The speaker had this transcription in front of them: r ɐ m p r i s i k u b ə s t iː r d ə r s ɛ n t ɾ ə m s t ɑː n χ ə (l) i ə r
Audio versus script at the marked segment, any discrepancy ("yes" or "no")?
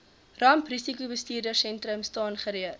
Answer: yes